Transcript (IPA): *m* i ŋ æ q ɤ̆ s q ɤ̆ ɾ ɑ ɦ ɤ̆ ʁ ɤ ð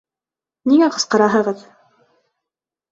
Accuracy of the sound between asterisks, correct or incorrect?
incorrect